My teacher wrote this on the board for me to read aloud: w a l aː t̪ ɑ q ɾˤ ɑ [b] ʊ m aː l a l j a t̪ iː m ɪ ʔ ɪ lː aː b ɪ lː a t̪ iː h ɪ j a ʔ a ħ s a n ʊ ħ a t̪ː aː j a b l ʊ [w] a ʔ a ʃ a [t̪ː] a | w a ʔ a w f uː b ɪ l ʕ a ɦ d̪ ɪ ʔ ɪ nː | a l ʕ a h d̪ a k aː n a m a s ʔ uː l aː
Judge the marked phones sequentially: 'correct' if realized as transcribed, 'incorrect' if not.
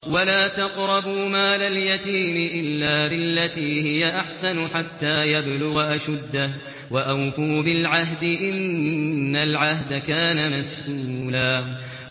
correct, incorrect, incorrect

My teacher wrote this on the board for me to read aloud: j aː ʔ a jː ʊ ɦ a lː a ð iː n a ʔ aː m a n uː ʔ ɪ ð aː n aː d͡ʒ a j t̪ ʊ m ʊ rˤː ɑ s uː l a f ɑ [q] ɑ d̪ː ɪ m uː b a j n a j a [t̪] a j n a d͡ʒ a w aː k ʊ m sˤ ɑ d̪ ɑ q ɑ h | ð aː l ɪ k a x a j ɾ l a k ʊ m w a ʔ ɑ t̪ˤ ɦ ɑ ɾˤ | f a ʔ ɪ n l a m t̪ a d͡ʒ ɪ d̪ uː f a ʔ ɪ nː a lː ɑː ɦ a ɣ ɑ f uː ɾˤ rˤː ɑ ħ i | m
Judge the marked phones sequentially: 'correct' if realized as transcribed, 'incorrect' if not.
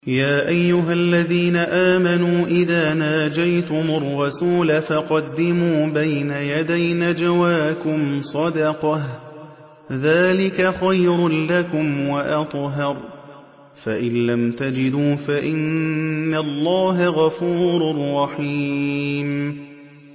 correct, incorrect

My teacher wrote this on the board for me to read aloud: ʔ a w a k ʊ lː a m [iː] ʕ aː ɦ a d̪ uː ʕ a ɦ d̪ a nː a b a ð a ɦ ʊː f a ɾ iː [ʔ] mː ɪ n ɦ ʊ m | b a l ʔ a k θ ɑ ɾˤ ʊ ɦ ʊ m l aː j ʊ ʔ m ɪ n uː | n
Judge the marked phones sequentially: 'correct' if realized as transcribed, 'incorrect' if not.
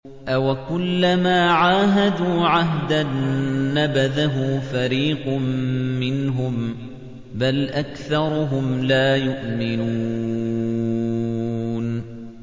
incorrect, incorrect

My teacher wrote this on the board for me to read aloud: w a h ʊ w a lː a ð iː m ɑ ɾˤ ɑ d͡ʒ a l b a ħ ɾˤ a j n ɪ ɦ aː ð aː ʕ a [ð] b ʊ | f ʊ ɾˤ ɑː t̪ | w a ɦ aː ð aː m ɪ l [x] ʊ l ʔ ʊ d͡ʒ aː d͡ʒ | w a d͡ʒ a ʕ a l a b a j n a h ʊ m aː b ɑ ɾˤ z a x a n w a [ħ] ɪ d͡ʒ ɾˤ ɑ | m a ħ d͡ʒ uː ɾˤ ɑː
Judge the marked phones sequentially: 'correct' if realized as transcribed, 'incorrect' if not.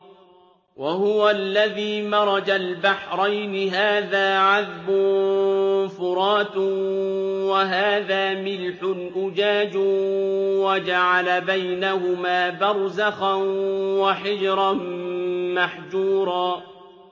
correct, incorrect, correct

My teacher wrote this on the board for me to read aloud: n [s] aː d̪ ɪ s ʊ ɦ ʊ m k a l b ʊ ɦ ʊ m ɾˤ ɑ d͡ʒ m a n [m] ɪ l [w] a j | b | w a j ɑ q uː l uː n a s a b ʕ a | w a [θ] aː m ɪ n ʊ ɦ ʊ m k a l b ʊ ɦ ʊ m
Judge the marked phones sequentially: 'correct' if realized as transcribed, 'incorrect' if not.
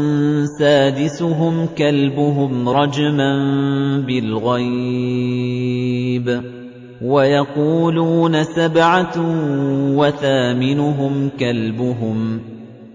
correct, incorrect, incorrect, correct

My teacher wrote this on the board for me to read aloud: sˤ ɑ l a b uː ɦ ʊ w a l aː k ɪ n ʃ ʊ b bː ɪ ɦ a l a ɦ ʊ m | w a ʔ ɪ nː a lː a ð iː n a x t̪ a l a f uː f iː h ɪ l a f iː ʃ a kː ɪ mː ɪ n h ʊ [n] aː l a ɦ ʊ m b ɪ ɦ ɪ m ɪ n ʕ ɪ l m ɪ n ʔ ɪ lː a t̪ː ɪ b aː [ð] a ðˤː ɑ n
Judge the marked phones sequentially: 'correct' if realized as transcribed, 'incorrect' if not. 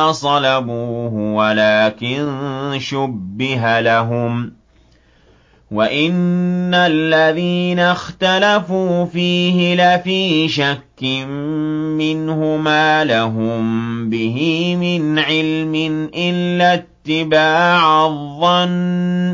incorrect, incorrect

